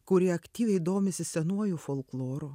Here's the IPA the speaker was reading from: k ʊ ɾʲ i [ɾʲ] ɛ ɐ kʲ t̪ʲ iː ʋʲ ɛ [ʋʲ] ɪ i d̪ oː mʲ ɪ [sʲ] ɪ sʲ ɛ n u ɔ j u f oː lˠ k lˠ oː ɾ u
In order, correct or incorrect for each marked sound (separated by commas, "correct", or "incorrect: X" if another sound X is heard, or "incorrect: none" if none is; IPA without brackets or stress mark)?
incorrect: none, incorrect: none, correct